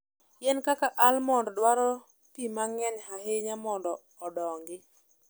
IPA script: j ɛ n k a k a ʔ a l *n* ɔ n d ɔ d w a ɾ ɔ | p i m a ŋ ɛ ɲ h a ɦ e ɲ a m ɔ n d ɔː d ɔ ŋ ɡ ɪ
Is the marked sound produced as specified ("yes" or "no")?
no